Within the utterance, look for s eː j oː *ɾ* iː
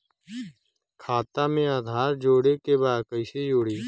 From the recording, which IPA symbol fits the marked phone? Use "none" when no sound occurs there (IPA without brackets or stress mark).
ɽ